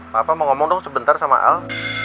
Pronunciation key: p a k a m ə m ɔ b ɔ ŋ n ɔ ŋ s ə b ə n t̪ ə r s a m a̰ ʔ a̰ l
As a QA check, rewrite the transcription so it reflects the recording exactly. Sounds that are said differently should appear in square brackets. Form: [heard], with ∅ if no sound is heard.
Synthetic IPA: p a [p] a m ə [ŋ] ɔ [m] ɔ ŋ [d] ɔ ŋ s ə b ə n t̪ [a] r s a m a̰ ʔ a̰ l